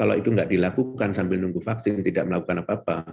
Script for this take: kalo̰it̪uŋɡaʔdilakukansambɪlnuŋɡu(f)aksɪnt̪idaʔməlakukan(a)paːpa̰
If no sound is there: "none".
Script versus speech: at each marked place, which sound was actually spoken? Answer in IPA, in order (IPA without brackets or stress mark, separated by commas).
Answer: f, a